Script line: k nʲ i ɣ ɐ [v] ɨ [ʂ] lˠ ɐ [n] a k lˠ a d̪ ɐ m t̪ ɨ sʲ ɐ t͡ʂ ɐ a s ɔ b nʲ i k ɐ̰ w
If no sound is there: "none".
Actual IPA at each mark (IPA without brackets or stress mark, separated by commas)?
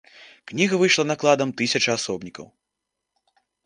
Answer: v, ʂ, n